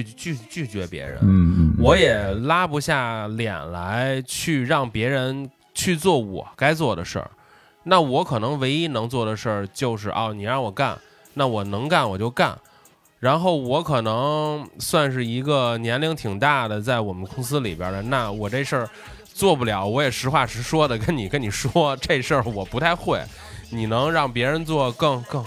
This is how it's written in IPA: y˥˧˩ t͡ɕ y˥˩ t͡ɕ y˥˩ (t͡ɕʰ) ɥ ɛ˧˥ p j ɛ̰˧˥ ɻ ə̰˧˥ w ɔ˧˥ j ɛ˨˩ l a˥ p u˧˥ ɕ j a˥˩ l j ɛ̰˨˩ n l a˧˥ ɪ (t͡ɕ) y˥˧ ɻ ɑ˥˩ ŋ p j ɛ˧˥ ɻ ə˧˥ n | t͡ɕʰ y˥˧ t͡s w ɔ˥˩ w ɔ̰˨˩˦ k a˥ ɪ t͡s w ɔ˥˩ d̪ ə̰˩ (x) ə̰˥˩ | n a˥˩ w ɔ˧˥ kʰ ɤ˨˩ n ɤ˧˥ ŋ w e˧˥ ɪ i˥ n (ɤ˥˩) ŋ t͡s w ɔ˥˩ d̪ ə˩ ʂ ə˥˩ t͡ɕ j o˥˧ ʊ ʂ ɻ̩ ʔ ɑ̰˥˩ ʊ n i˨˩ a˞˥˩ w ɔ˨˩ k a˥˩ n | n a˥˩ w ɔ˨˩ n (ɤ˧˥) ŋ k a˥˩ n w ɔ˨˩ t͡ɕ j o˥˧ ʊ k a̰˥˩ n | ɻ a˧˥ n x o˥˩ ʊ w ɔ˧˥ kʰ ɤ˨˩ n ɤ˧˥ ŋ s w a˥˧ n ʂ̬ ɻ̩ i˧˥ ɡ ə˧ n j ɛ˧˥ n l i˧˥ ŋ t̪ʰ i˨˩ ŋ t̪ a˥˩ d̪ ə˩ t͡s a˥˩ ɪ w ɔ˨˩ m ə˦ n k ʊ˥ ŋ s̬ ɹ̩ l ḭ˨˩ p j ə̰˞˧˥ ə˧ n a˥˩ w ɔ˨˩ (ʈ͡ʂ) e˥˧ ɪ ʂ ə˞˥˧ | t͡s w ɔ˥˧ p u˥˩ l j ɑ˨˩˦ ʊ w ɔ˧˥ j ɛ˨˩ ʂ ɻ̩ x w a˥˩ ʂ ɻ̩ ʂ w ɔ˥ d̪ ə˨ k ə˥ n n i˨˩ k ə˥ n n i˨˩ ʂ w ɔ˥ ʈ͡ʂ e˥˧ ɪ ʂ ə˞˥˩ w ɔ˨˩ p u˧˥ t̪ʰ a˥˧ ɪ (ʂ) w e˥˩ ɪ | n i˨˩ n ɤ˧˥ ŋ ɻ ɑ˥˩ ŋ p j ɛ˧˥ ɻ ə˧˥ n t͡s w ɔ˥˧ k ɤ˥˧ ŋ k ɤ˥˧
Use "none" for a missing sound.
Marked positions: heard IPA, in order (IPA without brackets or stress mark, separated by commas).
t͡ɕ, t͡ɕʰ, ʂ, ɤ˧˥, ɤ˧˥, ʈ͡ʂ, x